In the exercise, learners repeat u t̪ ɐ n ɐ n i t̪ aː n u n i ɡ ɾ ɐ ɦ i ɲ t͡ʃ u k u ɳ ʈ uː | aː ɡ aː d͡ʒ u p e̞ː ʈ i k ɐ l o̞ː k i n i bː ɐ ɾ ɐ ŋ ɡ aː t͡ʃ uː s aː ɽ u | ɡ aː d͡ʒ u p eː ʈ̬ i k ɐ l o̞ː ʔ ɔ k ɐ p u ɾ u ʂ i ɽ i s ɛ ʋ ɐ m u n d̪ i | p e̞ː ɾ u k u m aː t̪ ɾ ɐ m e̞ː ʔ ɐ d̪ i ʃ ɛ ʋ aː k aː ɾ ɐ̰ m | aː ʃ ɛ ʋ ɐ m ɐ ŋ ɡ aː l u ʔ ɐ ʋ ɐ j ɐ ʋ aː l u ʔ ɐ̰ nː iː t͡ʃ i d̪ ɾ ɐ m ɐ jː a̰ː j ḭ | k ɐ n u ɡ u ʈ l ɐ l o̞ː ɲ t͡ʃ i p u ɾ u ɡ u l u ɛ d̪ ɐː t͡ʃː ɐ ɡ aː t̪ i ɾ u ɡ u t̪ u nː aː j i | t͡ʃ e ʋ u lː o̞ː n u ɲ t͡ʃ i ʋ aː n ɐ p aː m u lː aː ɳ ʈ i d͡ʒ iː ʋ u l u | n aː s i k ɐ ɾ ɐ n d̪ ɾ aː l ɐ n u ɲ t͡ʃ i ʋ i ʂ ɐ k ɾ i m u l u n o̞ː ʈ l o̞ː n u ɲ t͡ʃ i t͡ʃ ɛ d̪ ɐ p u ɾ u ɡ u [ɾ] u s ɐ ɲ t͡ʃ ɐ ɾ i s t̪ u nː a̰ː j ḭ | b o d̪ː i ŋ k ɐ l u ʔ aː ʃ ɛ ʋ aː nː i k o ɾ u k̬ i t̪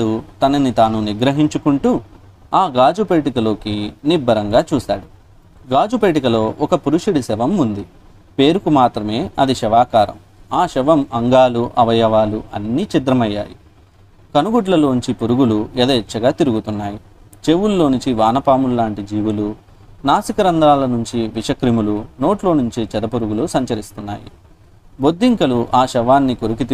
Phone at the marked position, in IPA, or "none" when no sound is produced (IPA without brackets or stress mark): l